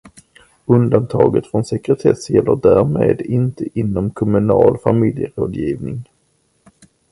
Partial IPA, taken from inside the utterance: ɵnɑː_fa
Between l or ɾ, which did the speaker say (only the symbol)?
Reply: l